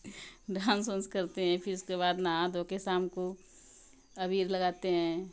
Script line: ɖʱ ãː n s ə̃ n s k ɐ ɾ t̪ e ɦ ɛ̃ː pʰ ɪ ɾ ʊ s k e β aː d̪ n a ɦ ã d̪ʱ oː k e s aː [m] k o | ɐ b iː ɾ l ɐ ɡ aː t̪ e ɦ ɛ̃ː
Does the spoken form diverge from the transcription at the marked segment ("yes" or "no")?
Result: no